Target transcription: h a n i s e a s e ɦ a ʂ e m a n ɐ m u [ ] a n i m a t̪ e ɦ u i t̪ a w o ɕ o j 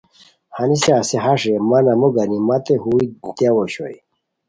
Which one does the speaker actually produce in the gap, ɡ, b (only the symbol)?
ɡ